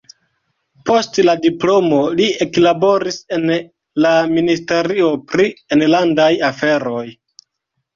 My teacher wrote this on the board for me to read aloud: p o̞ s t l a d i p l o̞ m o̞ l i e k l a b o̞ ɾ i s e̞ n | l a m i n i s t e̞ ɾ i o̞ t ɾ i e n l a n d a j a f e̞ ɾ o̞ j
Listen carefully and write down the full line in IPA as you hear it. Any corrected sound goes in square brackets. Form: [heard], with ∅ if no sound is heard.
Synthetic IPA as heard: p o̞ s t l a d i p l o̞ m o̞ l i e k l a b o̞ ɾ i s e̞ n | l a m i n i s t e̞ ɾ i o̞ [p] ɾ i e n l a n d a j a f e̞ ɾ o̞ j

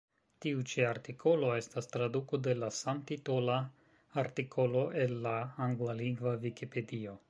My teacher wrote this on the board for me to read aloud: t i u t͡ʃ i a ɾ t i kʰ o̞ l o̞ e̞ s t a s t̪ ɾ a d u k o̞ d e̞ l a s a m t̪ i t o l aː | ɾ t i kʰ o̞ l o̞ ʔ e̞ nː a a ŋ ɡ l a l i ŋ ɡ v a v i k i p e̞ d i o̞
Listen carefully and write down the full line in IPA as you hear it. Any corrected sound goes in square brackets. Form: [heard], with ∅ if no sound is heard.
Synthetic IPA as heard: t i u t͡ʃ i a ɾ t i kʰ o̞ l o̞ e̞ s t a s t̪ ɾ a d u k o̞ d e̞ l a s a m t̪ i t o l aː | ɾ t i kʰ o̞ l o̞ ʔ e̞ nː a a ŋ ɡ l a l i ŋ ɡ v a v i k i p e̞ d i o̞

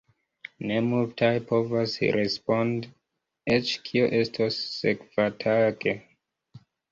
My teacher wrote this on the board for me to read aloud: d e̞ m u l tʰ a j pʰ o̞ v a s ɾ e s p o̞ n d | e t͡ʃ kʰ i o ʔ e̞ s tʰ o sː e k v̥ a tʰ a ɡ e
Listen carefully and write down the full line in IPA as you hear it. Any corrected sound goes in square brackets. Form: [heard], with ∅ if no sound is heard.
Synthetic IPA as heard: [n] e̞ m u l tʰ a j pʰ o̞ v a s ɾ e s p o̞ n d | e t͡ʃ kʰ i o ʔ e̞ s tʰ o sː e k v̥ a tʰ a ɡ e

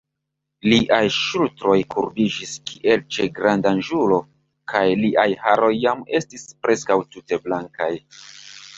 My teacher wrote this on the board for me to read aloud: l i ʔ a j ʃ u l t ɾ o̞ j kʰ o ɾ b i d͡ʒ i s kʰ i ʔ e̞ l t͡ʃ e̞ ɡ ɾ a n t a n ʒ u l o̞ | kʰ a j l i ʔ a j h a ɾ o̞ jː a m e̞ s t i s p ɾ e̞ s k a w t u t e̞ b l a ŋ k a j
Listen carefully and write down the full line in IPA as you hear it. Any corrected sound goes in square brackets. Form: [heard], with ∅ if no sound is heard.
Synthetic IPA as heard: l i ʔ a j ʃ u l t ɾ o̞ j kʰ [u] ɾ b i d͡ʒ i s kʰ i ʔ e̞ l t͡ʃ e̞ ɡ ɾ a n [d] a n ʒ u l o̞ | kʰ a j l i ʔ a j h a ɾ o̞ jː a m e̞ s t i s p ɾ e̞ s k a w t u t e̞ b l a ŋ k a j

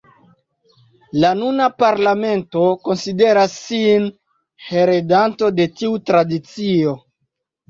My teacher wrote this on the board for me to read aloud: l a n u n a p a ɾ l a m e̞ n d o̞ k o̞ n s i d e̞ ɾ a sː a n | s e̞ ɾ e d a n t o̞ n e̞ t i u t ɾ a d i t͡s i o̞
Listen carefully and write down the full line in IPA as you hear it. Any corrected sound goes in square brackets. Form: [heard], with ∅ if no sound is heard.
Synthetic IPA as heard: l a n u n a p a ɾ l a m e̞ n [t] o̞ k o̞ n s i d e̞ ɾ a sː [i] n | [h] e̞ ɾ e d a n t o̞ [d] e̞ t i u t ɾ a d i t͡s i o̞

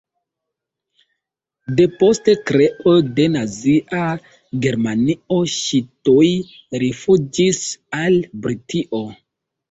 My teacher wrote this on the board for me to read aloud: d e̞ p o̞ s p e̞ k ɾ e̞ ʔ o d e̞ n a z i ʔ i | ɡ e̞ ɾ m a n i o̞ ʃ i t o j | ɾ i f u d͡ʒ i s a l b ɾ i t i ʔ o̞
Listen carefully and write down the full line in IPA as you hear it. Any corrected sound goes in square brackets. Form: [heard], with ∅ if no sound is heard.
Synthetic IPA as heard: d e̞ p o̞ s [t] e̞ k ɾ e̞ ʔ o d e̞ n a z i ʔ [a] | ɡ e̞ ɾ m a n i o̞ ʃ i t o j | ɾ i f u d͡ʒ i s a l b ɾ i t i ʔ o̞

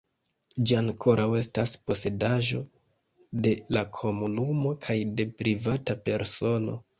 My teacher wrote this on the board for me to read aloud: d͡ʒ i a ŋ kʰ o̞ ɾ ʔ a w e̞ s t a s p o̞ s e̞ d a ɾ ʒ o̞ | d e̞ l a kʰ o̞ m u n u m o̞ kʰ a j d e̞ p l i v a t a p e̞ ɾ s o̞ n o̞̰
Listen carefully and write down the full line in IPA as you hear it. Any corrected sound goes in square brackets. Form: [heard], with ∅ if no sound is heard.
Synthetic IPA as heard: d͡ʒ i a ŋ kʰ o̞ ɾ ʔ a w e̞ s t a s p o̞ s e̞ d a [∅] ʒ o̞ | d e̞ l a kʰ o̞ m u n u m o̞ kʰ a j d e̞ p [ɾ] i v a t a p e̞ ɾ s o̞ n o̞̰

